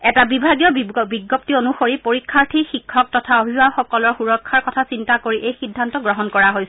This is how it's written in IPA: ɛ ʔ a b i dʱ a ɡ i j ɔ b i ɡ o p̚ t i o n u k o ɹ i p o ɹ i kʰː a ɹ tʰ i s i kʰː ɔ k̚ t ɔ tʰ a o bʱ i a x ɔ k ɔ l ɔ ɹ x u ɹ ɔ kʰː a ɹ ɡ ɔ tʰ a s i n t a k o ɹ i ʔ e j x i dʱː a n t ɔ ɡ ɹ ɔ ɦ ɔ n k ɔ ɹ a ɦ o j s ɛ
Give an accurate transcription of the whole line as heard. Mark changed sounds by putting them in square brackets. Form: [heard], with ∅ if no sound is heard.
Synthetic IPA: ɛ [t] a b i [bʱ] a ɡ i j ɔ b i ɡ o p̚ t i o n u [x] o ɹ i p o ɹ i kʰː a ɹ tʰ i [x] i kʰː ɔ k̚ t ɔ tʰ a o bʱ i a x ɔ k ɔ l ɔ ɹ x u ɹ ɔ kʰː a ɹ [k] ɔ tʰ a s i n t a k o ɹ i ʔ e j x i dʱː a n t ɔ ɡ ɹ ɔ ɦ ɔ n k ɔ ɹ a ɦ o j s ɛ